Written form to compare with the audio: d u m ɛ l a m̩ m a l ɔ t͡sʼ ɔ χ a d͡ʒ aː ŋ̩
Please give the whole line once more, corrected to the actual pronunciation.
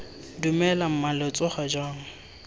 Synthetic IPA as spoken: d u m ɛ l a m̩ m a l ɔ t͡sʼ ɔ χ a d͡ʒ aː ŋ̩